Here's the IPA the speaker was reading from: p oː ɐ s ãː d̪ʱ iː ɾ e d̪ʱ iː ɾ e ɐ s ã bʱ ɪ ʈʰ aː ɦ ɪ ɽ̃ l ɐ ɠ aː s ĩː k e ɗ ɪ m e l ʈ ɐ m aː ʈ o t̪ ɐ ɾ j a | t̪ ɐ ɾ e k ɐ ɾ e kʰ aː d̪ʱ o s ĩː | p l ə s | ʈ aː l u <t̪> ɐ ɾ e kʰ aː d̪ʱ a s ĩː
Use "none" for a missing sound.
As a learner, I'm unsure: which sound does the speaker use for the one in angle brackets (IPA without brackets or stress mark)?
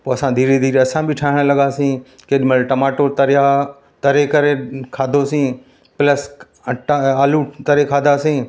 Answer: t̪